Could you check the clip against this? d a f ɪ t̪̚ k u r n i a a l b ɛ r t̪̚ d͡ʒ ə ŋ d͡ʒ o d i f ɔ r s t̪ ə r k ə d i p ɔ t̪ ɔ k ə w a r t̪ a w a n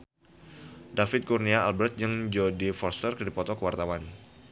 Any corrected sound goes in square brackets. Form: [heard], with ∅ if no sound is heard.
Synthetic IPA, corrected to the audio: d a f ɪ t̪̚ k u r n i a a l b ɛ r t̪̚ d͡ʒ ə ŋ d͡ʒ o d i f ɔ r s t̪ ə r k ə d i p ɔ t̪ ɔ k ə w a r t̪ a w a n